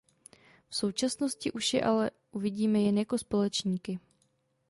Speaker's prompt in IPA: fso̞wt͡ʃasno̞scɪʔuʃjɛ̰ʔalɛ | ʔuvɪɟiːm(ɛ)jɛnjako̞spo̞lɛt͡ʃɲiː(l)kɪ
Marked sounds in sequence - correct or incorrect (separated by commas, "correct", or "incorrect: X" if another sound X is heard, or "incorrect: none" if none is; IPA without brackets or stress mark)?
correct, incorrect: none